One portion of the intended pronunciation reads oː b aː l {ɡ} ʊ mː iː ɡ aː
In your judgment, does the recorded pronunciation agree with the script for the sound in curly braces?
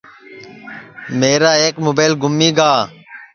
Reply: yes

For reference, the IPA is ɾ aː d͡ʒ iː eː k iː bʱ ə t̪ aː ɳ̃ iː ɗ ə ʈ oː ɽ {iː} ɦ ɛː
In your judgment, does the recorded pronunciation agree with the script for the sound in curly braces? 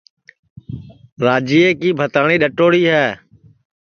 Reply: yes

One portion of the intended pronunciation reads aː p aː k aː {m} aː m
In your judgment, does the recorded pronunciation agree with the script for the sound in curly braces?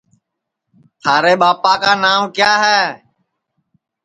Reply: no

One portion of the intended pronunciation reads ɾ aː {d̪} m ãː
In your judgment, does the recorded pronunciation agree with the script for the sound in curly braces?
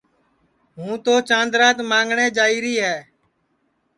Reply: no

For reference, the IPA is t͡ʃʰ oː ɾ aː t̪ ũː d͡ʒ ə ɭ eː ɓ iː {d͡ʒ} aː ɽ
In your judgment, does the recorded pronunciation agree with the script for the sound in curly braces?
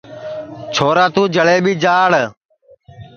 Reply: yes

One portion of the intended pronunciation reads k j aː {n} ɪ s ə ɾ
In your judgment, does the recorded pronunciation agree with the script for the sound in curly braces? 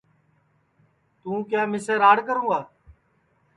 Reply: no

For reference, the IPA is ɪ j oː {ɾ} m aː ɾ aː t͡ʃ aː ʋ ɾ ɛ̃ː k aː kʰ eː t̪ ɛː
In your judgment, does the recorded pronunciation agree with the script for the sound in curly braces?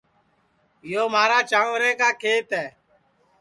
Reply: no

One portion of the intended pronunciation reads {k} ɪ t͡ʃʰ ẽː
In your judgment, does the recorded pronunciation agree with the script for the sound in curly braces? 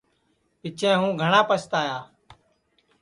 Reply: no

